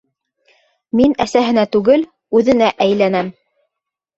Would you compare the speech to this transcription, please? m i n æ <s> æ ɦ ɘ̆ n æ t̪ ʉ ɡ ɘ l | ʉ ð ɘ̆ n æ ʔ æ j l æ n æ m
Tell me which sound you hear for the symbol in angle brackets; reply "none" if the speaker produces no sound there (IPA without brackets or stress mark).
s